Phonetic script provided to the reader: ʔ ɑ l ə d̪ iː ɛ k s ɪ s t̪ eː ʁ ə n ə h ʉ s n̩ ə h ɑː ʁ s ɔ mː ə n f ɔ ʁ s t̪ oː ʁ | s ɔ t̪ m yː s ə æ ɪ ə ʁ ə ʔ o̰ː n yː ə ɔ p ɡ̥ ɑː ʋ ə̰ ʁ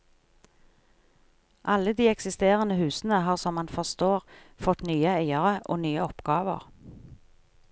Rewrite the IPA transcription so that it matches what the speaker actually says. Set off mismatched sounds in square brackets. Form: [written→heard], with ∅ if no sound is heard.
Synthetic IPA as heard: ʔ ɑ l ə d̪ iː ɛ k s ɪ s t̪ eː ʁ ə n ə h [ʉ→ʉː] s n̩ ə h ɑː ʁ s ɔ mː [ə→ɑ] n f ɔ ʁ s t̪ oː ʁ | [s→f] ɔ t̪ [m→n] yː [s→∅] ə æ ɪ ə ʁ ə ʔ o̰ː n yː ə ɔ p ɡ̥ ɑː ʋ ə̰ ʁ